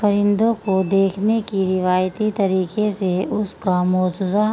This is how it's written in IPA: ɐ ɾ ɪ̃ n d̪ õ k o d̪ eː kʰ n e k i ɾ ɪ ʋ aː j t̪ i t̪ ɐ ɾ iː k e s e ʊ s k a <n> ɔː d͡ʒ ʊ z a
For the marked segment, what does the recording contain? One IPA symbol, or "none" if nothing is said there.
m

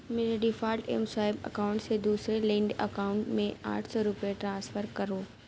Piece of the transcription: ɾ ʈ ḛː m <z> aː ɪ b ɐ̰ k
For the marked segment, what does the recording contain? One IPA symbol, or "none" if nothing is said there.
s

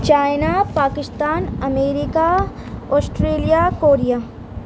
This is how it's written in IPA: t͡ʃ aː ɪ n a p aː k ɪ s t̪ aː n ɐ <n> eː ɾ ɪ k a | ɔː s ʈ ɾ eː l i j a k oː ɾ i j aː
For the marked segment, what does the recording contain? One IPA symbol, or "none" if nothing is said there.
m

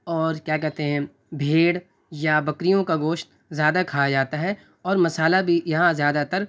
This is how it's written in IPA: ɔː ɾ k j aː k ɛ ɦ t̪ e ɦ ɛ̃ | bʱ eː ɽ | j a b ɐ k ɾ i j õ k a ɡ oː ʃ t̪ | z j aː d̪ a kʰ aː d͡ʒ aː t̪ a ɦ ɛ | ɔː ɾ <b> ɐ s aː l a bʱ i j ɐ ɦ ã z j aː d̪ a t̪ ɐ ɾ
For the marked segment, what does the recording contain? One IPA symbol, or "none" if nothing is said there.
m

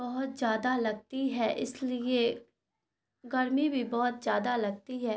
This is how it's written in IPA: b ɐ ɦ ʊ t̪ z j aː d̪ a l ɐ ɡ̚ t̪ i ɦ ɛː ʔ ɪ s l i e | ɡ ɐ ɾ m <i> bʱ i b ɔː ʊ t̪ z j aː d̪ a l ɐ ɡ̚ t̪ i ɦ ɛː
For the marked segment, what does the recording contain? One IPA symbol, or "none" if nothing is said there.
i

